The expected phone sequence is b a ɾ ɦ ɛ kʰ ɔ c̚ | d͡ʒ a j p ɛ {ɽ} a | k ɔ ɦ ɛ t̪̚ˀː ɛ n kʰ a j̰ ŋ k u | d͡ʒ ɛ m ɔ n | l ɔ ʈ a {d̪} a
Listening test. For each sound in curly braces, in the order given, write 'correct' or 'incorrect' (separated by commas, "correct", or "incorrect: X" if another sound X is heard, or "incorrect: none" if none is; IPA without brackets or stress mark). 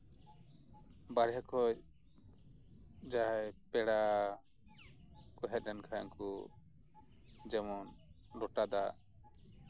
correct, correct